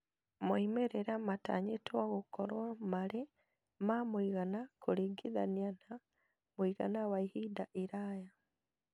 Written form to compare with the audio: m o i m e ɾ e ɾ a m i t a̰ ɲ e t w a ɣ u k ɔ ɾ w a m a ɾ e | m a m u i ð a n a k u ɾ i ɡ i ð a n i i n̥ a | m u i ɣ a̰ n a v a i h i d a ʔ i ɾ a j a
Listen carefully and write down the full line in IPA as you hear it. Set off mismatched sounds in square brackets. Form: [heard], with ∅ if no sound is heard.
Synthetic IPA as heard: m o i m e ɾ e ɾ a m [a] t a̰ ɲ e t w a ɣ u k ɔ ɾ w a m a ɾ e | m a m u i [ɣ] a n a k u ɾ i ɡ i ð a n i [a] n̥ a | m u i ɣ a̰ n a [w] a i h i d a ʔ i ɾ a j a